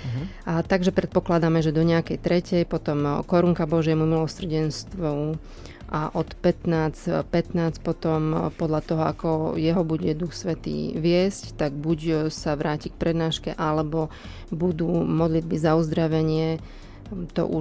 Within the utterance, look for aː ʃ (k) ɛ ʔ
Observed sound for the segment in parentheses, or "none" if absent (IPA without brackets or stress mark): k